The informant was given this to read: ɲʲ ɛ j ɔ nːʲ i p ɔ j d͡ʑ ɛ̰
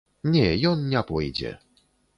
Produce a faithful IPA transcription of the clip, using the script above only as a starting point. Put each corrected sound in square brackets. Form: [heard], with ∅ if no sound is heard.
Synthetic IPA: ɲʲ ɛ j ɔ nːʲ [a] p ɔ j d͡ʑ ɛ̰